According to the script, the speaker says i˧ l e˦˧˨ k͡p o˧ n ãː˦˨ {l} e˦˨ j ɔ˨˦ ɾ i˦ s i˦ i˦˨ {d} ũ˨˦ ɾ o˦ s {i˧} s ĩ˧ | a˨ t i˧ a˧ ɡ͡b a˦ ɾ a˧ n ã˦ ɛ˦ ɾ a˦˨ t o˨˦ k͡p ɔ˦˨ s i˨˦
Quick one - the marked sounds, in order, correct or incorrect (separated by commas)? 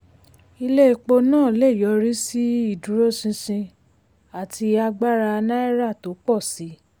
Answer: correct, correct, incorrect